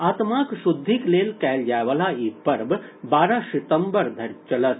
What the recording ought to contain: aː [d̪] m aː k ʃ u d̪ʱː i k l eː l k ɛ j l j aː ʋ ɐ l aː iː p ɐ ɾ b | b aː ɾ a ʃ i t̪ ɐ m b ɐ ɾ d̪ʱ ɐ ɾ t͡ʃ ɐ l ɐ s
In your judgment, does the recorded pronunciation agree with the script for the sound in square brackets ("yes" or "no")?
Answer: no